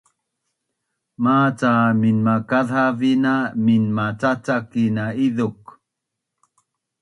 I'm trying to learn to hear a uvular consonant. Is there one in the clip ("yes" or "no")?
no